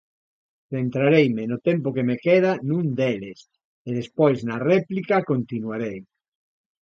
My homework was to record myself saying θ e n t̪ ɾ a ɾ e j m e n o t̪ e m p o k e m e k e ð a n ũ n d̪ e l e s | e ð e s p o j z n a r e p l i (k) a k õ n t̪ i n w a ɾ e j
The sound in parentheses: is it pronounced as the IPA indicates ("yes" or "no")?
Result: yes